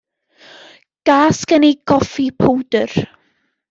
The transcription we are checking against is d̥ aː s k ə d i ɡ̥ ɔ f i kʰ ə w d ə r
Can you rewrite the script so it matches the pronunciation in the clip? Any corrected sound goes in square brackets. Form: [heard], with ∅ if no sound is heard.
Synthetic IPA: [ɡ̥] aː s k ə [n] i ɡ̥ ɔ f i [pʰ] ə w d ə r